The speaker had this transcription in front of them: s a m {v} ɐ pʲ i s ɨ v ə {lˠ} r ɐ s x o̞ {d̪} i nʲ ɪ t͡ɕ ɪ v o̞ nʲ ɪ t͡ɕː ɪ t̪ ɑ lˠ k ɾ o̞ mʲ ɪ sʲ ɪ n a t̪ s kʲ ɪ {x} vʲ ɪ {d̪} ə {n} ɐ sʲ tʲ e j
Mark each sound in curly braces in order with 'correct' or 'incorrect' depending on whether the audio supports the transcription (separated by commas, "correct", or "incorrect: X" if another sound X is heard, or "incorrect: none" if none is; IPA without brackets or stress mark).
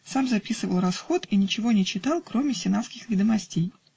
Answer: incorrect: z, correct, incorrect: t̪, correct, correct, incorrect: m